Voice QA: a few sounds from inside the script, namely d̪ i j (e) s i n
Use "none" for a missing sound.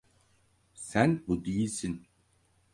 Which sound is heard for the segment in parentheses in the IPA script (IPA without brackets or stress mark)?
i